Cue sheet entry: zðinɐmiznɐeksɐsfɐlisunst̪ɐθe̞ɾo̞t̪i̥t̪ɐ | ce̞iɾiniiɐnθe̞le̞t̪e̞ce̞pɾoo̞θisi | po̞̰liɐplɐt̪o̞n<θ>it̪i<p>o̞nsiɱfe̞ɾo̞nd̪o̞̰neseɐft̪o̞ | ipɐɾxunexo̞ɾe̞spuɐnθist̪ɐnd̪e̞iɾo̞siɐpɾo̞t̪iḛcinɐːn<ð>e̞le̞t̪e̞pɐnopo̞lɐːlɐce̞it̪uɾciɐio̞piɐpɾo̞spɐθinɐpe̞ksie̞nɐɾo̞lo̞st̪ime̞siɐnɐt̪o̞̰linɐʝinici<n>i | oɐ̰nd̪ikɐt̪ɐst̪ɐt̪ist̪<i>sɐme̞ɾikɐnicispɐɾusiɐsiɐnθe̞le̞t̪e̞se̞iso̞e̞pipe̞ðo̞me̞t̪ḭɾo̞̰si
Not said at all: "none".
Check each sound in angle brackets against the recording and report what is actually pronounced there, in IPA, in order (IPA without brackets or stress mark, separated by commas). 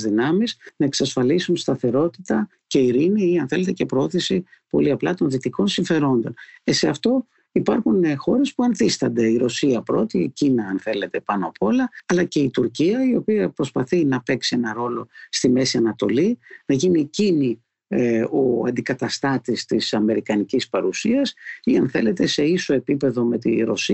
ð, k, θ, n, i